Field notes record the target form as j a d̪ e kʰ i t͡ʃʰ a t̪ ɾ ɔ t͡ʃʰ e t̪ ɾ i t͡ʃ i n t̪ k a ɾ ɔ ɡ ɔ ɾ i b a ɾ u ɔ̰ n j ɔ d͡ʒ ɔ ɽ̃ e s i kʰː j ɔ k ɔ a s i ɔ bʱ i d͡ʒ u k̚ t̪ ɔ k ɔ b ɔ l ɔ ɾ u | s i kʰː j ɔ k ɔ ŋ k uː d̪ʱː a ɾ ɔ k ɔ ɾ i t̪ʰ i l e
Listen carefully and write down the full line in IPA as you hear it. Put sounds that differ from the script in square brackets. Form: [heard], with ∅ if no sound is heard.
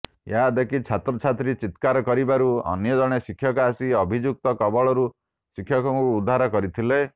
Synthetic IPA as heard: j a d̪ e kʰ i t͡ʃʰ a t̪ ɾ ɔ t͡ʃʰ [a] t̪ ɾ i t͡ʃ i [∅] t̪ k a ɾ ɔ [k] ɔ ɾ i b a ɾ u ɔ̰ n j ɔ d͡ʒ ɔ ɽ̃ e s i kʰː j ɔ k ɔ a s i ɔ bʱ i d͡ʒ u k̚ t̪ ɔ k ɔ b ɔ [ɭ] ɔ ɾ u | s i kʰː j ɔ k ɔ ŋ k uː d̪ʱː a ɾ ɔ k ɔ ɾ i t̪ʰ i l e

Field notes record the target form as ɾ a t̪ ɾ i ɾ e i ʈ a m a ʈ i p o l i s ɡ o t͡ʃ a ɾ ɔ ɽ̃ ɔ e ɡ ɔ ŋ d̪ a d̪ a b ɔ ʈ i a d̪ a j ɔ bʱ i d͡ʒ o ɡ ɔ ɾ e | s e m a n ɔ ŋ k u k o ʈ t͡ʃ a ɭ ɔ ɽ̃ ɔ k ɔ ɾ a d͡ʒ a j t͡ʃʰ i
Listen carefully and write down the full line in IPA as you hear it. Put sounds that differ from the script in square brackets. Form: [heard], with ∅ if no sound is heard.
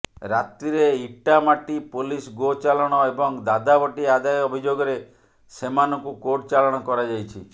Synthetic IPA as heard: ɾ a t̪ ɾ i ɾ e i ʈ a m a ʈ i p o l i s ɡ o t͡ʃ a [l] ɔ ɽ̃ ɔ e [b] ɔ ŋ d̪ a d̪ a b ɔ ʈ i a d̪ a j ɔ bʱ i d͡ʒ o ɡ ɔ ɾ e | s e m a n ɔ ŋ k u k o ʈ t͡ʃ a [l] ɔ ɽ̃ ɔ k ɔ ɾ a d͡ʒ a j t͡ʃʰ i

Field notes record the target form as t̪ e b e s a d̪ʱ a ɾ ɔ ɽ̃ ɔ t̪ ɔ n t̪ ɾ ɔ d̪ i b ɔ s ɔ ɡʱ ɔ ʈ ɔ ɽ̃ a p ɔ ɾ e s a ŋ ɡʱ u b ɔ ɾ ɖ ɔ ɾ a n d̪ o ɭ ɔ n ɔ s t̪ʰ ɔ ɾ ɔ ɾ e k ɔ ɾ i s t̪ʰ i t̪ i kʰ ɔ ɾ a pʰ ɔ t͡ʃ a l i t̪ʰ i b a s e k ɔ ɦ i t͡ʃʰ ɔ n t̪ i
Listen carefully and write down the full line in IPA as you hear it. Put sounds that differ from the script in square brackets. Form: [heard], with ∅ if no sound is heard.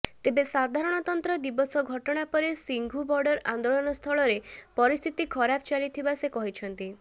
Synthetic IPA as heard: t̪ e b e s a d̪ʱ a ɾ ɔ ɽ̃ ɔ t̪ ɔ n t̪ ɾ ɔ d̪ i b ɔ s ɔ ɡʱ ɔ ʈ ɔ ɽ̃ a p ɔ ɾ e s [i] ŋ ɡʱ u b ɔ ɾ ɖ ɔ ɾ a n d̪ o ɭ ɔ n ɔ s t̪ʰ ɔ [ɭ] ɔ ɾ e [p] ɔ ɾ i s t̪ʰ i t̪ i kʰ ɔ ɾ a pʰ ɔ t͡ʃ a l i t̪ʰ i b a s e k ɔ ɦ i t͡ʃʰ ɔ n t̪ i

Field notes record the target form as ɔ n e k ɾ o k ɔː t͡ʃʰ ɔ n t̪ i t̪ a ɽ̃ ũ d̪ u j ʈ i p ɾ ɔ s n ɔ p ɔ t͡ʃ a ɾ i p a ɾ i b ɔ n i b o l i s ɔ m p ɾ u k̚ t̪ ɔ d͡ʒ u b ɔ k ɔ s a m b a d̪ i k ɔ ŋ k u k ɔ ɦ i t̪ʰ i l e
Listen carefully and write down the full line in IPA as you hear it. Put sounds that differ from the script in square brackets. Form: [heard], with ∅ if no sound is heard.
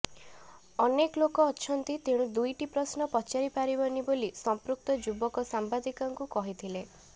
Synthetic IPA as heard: ɔ n e k [l] o k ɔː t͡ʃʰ ɔ n t̪ i t̪ [e] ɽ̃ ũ d̪ u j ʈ i p ɾ ɔ s n ɔ p ɔ t͡ʃ a ɾ i p a ɾ i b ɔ n i b o l i s ɔ m p ɾ u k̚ t̪ ɔ d͡ʒ u b ɔ k ɔ s a m b a d̪ i k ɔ ŋ k u k ɔ ɦ i t̪ʰ i l e

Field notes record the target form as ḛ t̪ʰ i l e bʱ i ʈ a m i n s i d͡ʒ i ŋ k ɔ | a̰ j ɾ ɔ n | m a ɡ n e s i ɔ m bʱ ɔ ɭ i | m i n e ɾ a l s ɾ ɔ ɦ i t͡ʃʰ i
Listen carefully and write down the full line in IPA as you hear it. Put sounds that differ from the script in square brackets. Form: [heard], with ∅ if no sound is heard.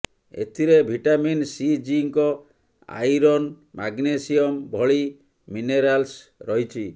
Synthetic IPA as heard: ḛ t̪ʰ i [ɾ] e bʱ i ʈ a m i n s i d͡ʒ i ŋ k ɔ | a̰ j ɾ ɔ n | m a ɡ n e s i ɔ m bʱ ɔ ɭ i | m i n e ɾ a l s ɾ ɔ ɦ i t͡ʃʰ i

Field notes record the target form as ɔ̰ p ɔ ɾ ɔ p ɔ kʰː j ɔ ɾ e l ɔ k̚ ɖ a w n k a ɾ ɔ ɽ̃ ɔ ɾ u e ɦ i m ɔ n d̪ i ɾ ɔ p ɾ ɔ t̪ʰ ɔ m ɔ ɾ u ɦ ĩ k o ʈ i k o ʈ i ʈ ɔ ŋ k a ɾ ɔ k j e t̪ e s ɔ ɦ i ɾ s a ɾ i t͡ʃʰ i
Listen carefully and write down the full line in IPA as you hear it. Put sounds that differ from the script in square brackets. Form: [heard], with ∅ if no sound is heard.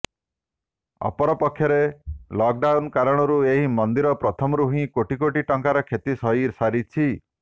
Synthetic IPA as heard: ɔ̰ p ɔ ɾ ɔ p ɔ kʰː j ɔ ɾ e l ɔ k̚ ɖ a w n k a ɾ ɔ ɽ̃ ɔ ɾ u e ɦ i m ɔ n d̪ i ɾ ɔ p ɾ ɔ t̪ʰ ɔ m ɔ ɾ u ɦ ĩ k o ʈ i k o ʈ i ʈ ɔ ŋ k a ɾ ɔ [kʰ] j e t̪ [i] s ɔ ɦ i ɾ s a ɾ i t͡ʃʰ i

